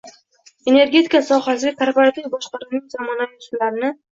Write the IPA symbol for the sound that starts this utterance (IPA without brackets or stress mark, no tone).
e̞